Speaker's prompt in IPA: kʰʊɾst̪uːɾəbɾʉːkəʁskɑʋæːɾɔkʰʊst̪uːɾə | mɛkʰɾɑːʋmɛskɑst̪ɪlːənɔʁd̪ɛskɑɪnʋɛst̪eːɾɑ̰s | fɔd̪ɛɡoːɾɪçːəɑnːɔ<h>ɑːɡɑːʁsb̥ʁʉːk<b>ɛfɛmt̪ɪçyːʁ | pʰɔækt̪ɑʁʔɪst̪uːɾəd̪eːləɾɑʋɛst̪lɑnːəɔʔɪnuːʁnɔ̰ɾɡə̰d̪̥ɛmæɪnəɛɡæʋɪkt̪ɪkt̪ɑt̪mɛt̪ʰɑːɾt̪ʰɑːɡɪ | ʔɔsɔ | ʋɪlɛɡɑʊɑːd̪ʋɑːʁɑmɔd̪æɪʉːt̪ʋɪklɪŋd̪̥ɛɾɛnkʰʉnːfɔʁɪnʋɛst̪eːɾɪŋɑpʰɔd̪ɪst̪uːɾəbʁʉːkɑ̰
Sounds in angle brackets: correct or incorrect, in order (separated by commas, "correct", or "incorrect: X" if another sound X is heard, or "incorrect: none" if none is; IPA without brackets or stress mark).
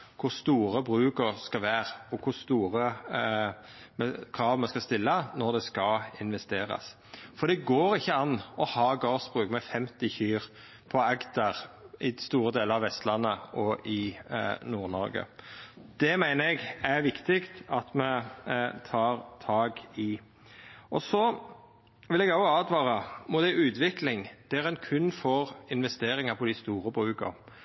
correct, incorrect: m